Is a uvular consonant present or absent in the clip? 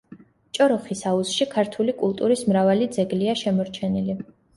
present